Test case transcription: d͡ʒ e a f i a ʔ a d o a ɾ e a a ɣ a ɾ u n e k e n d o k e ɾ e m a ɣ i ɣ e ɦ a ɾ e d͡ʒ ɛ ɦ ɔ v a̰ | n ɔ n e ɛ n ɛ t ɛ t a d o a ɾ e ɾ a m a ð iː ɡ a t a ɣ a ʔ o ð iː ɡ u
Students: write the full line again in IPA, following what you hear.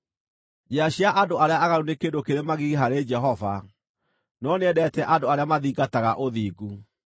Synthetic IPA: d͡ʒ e a ɕ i a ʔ a d o a ɾ e a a ɣ a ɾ u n e k e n d o k e ɾ e m a ɣ i ɣ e ɦ a ɾ e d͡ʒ ɛ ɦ ɔ v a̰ | n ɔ n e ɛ d ɛ t ɛ ʔ a d o a ɾ e a m a ð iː ɡ a t a ɣ a ʔ o ð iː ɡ u